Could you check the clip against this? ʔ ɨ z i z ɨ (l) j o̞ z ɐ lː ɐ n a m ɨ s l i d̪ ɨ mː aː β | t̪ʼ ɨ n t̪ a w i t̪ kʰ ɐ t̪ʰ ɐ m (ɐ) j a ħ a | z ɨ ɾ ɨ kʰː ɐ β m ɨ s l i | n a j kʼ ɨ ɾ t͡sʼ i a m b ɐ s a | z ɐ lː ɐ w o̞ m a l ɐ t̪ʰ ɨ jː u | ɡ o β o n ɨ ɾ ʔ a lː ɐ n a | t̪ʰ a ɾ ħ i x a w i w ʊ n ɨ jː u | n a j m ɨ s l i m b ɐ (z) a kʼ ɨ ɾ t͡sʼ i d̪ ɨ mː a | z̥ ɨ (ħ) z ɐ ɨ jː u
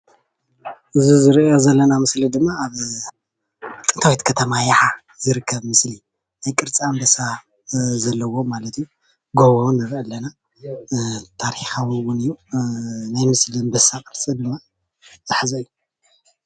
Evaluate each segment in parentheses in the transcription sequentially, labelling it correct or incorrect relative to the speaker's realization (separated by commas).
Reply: incorrect, incorrect, incorrect, correct